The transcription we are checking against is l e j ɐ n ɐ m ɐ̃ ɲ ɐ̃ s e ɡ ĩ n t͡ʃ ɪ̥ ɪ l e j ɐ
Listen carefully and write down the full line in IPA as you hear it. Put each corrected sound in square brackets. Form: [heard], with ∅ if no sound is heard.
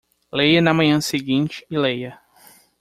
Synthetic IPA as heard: l e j ɐ n ɐ m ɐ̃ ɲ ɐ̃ s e ɡ ĩ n t͡ʃ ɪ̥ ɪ l e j ɐ